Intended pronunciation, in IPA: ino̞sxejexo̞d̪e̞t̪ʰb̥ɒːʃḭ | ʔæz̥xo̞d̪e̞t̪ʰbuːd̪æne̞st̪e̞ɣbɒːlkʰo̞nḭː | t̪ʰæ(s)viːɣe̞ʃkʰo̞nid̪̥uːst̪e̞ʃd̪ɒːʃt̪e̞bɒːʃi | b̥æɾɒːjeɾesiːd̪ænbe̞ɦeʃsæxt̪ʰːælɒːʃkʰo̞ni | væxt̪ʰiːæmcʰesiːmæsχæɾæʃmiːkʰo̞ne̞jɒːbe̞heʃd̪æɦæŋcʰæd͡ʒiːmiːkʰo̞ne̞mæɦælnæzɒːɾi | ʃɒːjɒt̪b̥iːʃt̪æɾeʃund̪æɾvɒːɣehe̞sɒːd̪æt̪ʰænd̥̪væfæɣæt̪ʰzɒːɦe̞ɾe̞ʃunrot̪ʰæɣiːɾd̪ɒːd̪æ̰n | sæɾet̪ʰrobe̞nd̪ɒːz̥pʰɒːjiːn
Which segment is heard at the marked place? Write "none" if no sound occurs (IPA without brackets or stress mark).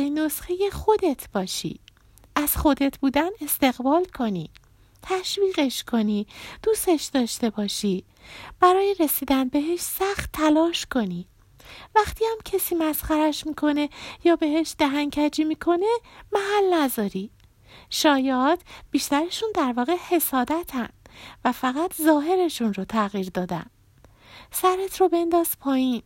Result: ʃ